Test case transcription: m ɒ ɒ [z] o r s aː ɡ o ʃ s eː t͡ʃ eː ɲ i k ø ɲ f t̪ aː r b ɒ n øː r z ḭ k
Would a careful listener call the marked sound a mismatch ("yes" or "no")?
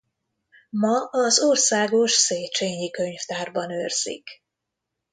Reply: no